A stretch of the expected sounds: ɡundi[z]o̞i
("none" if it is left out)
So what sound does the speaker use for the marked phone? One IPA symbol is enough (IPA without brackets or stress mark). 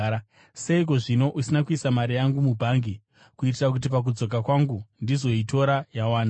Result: z